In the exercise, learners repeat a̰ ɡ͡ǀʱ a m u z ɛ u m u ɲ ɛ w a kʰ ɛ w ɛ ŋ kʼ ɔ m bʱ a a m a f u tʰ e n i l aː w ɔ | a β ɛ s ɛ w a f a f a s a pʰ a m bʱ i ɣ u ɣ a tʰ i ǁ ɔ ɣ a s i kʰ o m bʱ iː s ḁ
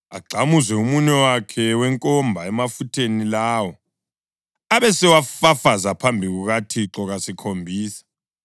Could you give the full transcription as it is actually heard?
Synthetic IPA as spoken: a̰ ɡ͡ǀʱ a m u z ɛ u m u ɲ ɛ w a kʰ ɛ w ɛ ŋ kʼ ɔ m bʱ a ɛ m a f u tʰ e n i l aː w ɔ | a β ɛ s ɛ w a f a f a z a pʰ a m bʱ i ɣ u ɣ a tʰ i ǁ ɔ ɣ a s i kʰ o m bʱ iː s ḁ